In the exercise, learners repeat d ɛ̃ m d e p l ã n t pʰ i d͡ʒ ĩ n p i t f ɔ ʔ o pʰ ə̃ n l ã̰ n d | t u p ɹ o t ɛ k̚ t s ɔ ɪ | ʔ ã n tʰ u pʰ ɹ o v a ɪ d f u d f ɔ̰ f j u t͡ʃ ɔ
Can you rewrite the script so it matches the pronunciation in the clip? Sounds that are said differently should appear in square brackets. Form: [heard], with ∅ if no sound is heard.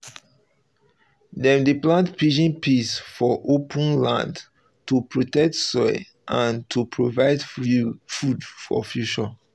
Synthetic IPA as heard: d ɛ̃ m d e p l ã n t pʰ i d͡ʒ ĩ n p i [s] f ɔ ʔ o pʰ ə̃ n l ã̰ n d | t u p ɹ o t ɛ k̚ t s ɔ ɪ | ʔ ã n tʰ u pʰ ɹ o v a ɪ d f u d f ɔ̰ f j u t͡ʃ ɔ